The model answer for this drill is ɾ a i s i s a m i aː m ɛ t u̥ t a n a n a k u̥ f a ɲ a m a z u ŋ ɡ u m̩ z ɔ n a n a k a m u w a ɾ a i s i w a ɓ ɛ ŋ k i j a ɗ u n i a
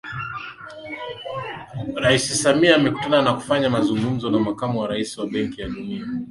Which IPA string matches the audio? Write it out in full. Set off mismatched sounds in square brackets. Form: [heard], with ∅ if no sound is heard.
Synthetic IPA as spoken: ɾ a i s i s a m i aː m ɛ [k] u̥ t a n a n a k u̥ f a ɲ a m a z u ŋ ɡ u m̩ z ɔ n a [m] a k a m u w a ɾ a i s i w a ɓ ɛ ŋ k i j a ɗ u n i a